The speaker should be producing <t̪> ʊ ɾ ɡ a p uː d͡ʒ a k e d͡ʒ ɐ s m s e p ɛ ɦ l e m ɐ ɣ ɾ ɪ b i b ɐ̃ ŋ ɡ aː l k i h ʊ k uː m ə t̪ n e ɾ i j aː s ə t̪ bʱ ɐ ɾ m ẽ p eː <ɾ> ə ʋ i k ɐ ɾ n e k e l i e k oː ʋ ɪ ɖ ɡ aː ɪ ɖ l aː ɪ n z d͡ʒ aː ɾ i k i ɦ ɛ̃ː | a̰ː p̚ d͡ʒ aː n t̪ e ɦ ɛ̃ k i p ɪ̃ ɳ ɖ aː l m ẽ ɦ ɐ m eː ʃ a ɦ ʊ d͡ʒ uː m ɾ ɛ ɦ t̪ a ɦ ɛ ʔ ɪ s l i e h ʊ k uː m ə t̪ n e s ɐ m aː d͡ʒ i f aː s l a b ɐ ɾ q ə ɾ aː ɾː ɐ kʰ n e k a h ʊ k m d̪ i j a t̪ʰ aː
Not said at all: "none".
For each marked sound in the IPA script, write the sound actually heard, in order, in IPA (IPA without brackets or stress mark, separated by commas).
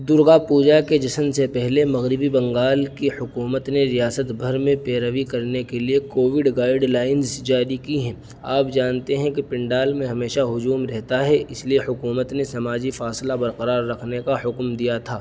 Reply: d̪, ɾ